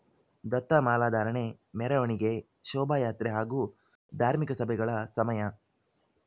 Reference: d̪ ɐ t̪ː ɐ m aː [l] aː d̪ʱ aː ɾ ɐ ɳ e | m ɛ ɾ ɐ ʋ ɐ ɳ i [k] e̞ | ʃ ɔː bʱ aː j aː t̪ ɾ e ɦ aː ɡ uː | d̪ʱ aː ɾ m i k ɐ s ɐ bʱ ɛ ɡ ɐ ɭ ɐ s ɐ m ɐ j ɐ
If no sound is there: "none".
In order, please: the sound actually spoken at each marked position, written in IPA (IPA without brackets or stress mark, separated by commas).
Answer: l, ɡ